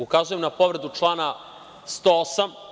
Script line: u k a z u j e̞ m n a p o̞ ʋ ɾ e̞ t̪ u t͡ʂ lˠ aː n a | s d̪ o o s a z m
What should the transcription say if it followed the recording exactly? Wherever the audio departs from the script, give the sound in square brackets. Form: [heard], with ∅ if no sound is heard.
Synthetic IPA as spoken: u k a z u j e̞ m n a p o̞ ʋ ɾ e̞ [d̪] u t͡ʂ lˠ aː n a | s [t̪] o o s a [∅] m